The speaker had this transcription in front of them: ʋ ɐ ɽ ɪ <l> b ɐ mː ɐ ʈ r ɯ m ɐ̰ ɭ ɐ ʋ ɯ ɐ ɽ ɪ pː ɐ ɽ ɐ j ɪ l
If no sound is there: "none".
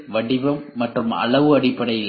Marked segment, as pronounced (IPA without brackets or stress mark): none